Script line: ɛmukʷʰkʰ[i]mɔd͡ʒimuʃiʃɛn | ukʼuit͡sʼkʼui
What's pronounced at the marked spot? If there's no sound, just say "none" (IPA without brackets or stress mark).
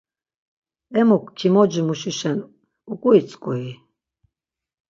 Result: i